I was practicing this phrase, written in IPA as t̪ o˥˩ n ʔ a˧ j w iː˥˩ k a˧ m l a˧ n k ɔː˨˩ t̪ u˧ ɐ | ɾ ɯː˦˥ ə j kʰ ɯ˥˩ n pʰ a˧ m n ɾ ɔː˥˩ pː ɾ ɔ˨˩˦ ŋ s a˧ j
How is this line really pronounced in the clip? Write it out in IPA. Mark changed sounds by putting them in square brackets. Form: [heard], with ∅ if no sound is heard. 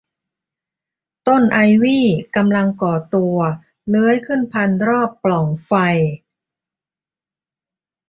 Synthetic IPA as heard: t̪ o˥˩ n ʔ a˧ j w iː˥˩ k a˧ m l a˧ [ŋ] k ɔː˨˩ t̪ u˧ ɐ | [l] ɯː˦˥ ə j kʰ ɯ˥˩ n pʰ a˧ [∅] n ɾ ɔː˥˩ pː [l] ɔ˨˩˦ ŋ [f] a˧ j